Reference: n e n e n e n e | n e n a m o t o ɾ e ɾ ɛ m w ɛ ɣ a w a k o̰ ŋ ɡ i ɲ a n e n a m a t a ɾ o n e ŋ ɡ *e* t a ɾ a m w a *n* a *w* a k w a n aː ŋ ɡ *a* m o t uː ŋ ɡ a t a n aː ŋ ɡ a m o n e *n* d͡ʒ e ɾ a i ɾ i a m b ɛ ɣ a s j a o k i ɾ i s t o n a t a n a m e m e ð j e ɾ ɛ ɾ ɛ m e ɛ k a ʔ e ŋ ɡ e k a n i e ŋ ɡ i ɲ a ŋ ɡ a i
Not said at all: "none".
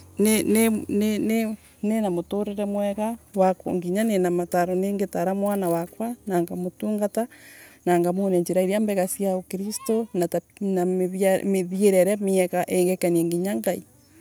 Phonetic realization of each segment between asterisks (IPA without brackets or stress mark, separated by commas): e, n, w, a, ɲ